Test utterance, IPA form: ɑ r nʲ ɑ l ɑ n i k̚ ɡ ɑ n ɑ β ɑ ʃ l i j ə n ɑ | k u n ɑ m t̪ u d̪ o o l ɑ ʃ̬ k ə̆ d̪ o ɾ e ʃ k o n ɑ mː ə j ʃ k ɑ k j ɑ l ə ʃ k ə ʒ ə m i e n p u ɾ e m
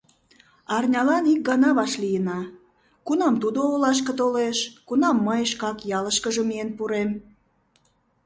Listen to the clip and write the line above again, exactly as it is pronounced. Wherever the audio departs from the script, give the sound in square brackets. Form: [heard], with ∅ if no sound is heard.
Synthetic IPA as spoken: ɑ r nʲ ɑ l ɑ n i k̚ ɡ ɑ n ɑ β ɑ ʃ l i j ə n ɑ | k u n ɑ m t̪ u d̪ o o l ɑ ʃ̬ k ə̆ [t̪] o [l] e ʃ k [u] n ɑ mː ə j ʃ k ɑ k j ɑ l ə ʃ k ə ʒ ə m i e n p u ɾ e m

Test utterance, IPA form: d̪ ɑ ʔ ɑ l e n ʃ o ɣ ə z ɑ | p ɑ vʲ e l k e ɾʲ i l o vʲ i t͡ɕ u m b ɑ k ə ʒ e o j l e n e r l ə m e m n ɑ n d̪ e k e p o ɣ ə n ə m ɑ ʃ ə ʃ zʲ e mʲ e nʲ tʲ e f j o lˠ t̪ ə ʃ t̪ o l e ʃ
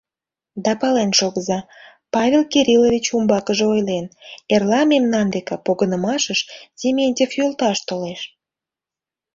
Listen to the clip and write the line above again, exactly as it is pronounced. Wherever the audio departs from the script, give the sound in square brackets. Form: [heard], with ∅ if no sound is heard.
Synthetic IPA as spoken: d̪ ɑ [p] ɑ l e n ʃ o ɣ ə z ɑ | p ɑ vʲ e l k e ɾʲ i l o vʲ i t͡ɕ u m b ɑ k ə ʒ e o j l e n e r l [ɑ] m e m n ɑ n d̪ e k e p o ɣ ə n ə m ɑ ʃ ə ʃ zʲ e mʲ e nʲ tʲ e f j o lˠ t̪ [ɑ] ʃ t̪ o l e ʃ

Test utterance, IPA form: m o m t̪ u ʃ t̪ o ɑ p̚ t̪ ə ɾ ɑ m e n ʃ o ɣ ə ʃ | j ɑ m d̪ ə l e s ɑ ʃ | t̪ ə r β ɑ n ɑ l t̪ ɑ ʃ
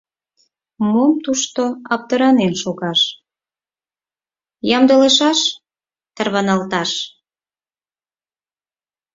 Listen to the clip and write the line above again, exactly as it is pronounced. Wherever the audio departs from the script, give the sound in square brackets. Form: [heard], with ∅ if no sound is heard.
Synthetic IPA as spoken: m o m t̪ u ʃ t̪ o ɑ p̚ t̪ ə ɾ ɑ [n] e n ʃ o ɣ [ɑ] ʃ | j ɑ m d̪ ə l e [ʃ] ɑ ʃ | t̪ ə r β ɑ n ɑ l t̪ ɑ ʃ

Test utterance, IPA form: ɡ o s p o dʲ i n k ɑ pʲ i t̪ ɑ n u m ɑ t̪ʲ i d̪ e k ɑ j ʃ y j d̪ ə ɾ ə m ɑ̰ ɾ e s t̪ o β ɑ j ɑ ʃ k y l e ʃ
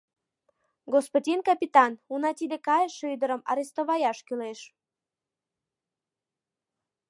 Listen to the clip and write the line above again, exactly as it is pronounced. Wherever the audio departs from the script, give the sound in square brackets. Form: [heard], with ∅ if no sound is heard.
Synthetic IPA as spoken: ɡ o s p o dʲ i n k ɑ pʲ i t̪ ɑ n u [n] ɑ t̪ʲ i d̪ e k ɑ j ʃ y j d̪ ə ɾ ə m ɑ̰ ɾ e s t̪ o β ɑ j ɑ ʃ k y l e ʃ

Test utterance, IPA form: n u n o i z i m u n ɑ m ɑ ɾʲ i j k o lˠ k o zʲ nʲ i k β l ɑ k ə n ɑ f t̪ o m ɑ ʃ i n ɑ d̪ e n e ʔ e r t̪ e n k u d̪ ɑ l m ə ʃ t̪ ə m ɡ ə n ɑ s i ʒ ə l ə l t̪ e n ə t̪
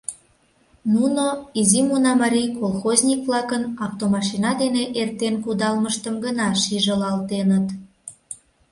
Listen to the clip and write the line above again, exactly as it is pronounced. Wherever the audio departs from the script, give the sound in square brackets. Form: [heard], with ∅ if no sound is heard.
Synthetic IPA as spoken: n u n o i z i m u n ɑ m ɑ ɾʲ i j k o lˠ [x] o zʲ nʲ i k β l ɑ k ə n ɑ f t̪ o m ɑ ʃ i n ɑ d̪ e n e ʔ e r t̪ e n k u d̪ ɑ l m ə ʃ t̪ ə m ɡ ə n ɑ [ʃ] i ʒ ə l [ɑ] l t̪ e n ə t̪

